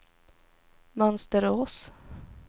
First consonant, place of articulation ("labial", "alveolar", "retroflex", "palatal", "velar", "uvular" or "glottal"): labial